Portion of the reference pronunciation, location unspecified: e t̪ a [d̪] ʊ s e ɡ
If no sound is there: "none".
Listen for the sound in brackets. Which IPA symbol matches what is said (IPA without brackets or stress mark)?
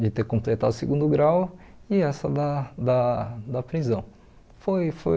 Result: d̪